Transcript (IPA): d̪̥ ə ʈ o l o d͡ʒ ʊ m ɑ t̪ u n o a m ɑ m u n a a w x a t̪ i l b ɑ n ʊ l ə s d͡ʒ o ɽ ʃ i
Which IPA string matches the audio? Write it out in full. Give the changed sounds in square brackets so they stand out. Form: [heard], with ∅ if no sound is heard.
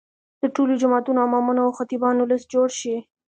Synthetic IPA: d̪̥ ə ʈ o l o d͡ʒ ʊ m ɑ t̪ u n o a m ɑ m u n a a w x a t̪ i [∅] b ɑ n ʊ l ə s d͡ʒ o ɽ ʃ i